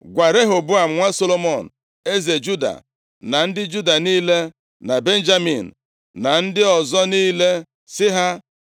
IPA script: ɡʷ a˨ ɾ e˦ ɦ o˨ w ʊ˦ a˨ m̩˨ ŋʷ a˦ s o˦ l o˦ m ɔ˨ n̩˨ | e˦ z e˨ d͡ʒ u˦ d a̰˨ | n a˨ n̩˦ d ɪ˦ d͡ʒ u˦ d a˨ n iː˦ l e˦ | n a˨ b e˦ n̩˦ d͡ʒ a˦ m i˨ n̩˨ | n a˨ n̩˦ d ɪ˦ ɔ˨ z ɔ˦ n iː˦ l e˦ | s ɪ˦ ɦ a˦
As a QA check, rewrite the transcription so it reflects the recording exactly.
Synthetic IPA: ɡʷ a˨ ɾ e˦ ɦ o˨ b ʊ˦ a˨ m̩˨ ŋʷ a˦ s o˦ l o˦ m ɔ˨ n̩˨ | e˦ z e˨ d͡ʒ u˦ d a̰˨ | n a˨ n̩˦ d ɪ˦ d͡ʒ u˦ d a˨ n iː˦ l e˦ | n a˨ b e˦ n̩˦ d͡ʒ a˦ m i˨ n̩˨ | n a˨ n̩˦ d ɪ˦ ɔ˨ z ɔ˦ n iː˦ l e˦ | s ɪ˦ ɦ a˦